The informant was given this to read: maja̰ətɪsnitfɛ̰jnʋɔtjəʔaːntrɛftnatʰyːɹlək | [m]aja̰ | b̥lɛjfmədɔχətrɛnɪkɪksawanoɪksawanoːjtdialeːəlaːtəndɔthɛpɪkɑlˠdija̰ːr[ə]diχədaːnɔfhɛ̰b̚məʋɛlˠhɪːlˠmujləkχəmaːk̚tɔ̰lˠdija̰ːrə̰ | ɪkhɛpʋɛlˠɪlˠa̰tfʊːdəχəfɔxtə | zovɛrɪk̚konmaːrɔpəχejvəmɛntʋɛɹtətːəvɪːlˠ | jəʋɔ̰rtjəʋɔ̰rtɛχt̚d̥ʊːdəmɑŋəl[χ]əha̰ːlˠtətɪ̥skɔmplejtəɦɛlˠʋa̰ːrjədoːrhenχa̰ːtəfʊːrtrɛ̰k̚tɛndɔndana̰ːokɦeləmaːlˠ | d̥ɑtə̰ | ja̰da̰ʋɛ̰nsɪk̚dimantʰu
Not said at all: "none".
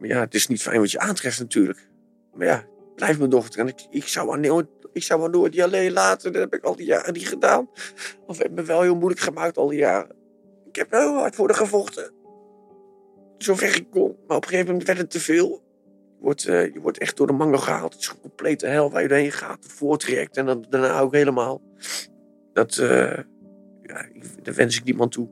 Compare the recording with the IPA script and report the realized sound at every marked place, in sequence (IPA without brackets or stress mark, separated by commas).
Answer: m, ə, χ